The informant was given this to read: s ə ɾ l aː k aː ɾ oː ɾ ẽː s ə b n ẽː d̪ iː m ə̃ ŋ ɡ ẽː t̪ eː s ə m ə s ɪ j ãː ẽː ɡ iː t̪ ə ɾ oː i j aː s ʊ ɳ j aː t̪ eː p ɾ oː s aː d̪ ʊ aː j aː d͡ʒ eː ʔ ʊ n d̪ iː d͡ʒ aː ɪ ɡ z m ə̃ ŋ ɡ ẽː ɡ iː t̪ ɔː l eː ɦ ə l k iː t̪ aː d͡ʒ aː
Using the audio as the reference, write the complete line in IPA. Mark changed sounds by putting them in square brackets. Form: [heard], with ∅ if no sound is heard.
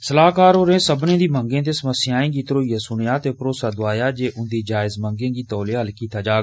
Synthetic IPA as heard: s ə [∅] l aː k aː ɾ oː ɾ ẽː s ə b n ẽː d̪ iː m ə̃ ŋ ɡ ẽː t̪ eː s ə m ə s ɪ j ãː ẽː ɡ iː t̪ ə ɾ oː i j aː s ʊ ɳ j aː t̪ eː p ɾ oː s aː d̪ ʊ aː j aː d͡ʒ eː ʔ ʊ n d̪ iː d͡ʒ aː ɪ [∅] z m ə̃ ŋ ɡ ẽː ɡ iː t̪ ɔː l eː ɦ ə l k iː t̪ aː d͡ʒ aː